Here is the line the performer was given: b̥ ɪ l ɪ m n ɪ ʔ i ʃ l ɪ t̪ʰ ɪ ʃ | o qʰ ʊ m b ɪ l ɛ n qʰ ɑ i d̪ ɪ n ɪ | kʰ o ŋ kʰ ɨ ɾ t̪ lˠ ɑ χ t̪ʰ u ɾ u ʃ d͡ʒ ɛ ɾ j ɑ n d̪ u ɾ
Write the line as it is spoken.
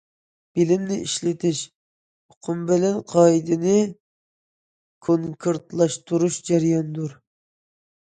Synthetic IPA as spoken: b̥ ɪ l ɪ m n ɪ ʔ i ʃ l ɪ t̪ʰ ɪ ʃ | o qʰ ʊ m b ɪ l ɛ n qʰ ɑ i d̪ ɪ n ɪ | kʰ o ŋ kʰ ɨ ɾ t̪ lˠ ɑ ʃ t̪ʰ u ɾ u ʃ d͡ʒ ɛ ɾ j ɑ n d̪ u ɾ

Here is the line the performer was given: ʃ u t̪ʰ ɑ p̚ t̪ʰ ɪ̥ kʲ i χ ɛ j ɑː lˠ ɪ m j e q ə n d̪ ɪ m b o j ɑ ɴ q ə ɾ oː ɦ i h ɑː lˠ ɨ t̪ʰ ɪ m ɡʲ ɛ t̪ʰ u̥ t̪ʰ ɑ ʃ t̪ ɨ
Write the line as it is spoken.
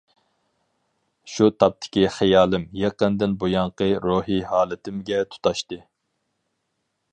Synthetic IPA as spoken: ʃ u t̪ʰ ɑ p̚ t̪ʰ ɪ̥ kʲ i χ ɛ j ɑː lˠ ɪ m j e q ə n d̪ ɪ n b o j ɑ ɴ q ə ɾ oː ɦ i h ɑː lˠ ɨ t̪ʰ ɪ m ɡʲ ɛ t̪ʰ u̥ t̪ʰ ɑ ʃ t̪ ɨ

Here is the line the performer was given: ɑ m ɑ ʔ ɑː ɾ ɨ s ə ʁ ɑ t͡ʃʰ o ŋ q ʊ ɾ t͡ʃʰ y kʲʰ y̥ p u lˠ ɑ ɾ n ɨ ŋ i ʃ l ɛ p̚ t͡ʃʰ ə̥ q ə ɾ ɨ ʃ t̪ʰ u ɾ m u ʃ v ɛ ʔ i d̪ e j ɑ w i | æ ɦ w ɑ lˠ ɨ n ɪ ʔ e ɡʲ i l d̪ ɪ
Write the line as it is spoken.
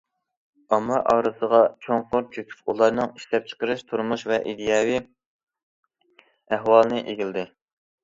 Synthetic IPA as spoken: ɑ m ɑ ʔ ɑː ɾ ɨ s ə ʁ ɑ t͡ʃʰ o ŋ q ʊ ɾ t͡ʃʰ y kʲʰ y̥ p u lˠ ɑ ɾ n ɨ ŋ i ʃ l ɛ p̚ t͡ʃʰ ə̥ q ə ɾ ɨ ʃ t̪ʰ u ɾ m u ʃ v ɛ ʔ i d̪ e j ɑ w i | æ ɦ w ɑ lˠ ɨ n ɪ ʔ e ɡʲ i l d̪ ɪ

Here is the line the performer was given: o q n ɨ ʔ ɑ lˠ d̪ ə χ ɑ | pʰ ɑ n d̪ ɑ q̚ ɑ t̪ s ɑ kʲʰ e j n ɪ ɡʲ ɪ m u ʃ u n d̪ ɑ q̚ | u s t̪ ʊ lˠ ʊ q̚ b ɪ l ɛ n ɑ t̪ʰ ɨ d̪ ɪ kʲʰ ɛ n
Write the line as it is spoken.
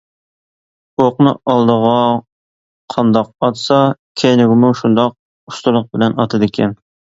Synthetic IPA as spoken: o q n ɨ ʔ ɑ lˠ d̪ ə ʁ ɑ | qʰ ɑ n d̪ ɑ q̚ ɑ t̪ s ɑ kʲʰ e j n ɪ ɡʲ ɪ m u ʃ u n d̪ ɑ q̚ | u s t̪ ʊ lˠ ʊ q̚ b ɪ l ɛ n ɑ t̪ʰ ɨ d̪ ɪ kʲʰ ɛ n

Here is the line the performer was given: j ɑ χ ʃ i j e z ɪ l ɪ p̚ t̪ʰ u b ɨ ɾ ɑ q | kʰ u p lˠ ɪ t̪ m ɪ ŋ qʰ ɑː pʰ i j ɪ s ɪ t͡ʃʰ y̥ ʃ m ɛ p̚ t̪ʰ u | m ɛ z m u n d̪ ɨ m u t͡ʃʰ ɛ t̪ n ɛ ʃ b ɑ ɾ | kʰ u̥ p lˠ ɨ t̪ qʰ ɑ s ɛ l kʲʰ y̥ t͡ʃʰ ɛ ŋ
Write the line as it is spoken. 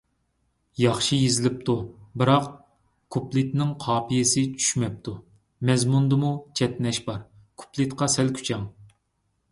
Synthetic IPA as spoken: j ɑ χ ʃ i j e z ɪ l ɪ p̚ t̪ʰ u b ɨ ɾ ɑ q | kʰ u p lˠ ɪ t̪ n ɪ ŋ qʰ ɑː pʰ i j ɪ s ɪ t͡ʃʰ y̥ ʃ m ɛ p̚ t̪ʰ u | m ɛ z m u n d̪ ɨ m u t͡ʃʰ ɛ t̪ n ɛ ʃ b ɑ ɾ | kʰ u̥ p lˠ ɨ t̪ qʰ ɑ s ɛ l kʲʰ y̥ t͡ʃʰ ɛ ŋ

